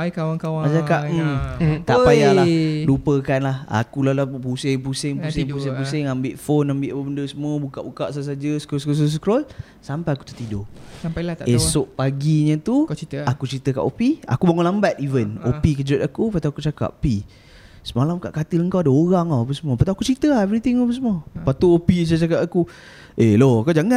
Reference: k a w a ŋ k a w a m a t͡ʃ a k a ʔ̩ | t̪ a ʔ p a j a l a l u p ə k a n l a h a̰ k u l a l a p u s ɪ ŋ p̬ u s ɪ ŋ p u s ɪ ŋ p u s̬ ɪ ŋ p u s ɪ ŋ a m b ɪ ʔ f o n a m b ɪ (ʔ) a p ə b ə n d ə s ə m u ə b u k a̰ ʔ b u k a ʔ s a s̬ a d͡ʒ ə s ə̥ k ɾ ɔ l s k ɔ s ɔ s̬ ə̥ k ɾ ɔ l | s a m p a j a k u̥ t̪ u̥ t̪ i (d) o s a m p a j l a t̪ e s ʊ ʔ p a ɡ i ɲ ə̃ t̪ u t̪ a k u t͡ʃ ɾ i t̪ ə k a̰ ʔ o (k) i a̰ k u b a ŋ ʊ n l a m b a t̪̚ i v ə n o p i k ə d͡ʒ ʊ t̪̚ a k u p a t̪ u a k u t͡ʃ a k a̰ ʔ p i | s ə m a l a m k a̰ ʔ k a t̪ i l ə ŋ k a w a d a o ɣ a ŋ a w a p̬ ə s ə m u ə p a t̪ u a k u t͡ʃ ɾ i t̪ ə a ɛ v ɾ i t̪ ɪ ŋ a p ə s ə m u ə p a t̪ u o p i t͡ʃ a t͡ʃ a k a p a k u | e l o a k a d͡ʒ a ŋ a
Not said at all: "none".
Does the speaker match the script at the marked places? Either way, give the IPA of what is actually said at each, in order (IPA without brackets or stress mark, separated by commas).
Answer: ʔ, d, p